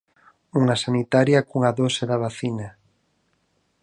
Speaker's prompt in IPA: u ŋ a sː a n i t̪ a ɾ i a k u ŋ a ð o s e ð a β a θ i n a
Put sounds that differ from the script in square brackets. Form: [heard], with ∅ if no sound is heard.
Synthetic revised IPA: u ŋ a [s] a n i t̪ a ɾ [j] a k u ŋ a ð o s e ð a β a θ i n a